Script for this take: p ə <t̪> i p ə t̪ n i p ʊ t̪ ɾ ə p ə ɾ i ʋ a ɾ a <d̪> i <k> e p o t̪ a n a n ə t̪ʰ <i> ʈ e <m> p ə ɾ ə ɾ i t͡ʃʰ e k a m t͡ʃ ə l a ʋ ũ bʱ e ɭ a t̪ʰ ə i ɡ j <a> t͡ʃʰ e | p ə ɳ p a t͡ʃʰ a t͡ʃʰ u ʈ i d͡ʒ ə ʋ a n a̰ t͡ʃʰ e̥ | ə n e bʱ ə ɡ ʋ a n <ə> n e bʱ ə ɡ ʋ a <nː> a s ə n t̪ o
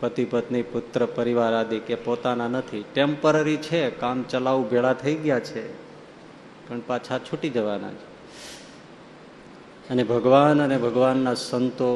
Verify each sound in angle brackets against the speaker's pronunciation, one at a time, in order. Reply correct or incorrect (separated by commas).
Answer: correct, correct, correct, correct, correct, correct, correct, correct